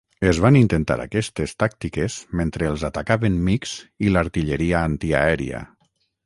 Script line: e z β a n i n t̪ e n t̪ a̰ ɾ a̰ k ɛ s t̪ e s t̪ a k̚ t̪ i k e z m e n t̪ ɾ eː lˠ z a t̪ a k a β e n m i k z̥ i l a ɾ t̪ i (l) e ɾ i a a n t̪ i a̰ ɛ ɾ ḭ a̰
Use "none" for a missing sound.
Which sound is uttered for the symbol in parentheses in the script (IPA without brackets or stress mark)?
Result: ʎ